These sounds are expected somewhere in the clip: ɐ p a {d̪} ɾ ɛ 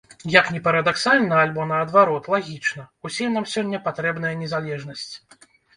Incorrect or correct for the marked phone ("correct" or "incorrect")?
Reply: incorrect